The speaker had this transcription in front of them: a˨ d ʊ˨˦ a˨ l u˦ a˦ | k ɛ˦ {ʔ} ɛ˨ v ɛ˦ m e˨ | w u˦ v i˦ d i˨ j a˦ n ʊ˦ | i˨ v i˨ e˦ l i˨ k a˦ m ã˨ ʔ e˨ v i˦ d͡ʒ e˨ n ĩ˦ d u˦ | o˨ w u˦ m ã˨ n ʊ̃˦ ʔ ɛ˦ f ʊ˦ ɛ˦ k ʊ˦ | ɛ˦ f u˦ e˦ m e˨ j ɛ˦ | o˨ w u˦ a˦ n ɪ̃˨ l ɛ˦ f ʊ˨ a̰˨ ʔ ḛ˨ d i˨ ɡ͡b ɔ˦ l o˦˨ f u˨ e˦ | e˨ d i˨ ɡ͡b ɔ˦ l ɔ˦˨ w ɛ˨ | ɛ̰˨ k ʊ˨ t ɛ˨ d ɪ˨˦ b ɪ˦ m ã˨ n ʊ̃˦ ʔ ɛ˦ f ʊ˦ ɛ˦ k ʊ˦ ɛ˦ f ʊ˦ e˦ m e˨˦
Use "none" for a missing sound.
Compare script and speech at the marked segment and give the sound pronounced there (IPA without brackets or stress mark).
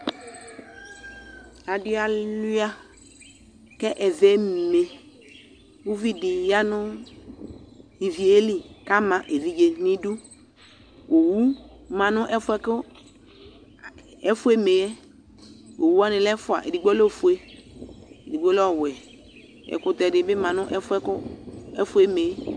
ʔ